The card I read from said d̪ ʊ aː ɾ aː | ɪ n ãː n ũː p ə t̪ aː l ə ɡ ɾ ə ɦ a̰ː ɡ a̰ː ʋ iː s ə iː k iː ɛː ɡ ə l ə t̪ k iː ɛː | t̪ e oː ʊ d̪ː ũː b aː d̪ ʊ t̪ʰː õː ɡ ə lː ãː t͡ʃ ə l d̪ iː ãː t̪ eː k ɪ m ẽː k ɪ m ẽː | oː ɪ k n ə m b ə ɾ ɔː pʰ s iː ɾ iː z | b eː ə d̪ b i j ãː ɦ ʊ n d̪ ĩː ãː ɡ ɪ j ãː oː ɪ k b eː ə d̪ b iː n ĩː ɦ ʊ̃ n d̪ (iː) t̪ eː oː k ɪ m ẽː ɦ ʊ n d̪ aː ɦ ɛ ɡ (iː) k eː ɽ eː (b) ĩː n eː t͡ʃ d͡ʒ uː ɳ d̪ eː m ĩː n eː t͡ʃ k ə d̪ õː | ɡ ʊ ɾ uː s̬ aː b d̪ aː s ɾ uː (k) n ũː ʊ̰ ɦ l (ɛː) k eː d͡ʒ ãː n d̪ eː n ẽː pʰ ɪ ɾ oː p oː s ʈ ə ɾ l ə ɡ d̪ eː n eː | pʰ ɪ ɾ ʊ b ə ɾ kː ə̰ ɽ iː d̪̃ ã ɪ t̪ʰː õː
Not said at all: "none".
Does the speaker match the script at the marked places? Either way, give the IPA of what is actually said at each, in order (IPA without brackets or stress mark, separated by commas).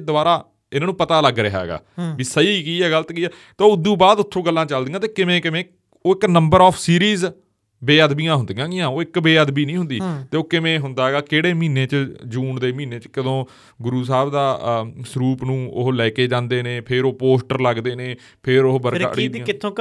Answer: iː, aː, m, p, ɛː